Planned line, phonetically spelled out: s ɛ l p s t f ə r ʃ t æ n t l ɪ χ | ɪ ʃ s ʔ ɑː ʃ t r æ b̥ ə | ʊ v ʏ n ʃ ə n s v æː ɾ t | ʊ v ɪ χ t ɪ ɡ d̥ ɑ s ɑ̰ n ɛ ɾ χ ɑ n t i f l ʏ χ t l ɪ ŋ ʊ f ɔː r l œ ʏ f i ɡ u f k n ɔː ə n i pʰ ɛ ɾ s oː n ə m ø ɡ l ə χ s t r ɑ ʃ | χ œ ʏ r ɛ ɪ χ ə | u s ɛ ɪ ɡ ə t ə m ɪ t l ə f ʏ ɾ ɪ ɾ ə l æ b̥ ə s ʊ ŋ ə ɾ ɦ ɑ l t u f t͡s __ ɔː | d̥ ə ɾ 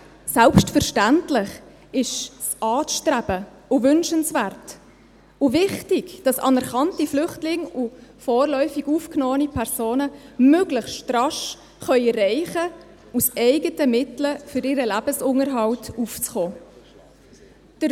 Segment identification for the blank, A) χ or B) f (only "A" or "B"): A